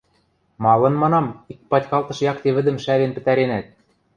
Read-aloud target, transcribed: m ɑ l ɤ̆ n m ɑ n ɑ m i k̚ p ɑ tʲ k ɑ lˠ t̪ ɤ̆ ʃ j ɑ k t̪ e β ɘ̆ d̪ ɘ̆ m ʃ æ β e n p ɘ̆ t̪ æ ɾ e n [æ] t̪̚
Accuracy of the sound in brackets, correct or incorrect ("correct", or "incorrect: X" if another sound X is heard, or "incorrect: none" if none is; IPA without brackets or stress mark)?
correct